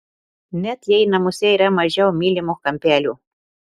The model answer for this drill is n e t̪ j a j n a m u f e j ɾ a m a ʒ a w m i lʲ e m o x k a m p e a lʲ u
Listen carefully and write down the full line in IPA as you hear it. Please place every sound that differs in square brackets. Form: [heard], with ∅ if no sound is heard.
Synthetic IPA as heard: n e t̪ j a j n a m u [s] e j ɾ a m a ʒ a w m i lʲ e m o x k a m p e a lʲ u